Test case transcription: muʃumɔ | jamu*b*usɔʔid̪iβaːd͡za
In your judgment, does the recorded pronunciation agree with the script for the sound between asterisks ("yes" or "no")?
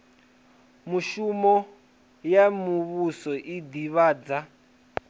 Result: no